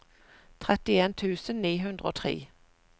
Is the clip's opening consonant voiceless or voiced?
voiceless